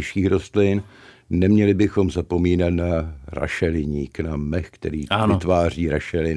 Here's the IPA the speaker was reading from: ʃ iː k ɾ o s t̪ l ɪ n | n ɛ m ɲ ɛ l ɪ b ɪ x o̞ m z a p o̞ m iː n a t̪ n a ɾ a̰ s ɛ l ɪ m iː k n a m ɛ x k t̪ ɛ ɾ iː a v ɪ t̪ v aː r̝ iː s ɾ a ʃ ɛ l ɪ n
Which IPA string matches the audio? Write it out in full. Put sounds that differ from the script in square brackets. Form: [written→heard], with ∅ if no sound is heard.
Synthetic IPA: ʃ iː [k→x] ɾ o s t̪ l ɪ n | n ɛ m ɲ ɛ l ɪ b ɪ x o̞ m z a p o̞ m iː n a t̪ n a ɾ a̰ [s→ʃ] ɛ l ɪ [m→ɲ] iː k n a m ɛ x k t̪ ɛ ɾ iː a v ɪ t̪ v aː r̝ iː [s→∅] ɾ a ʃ ɛ l ɪ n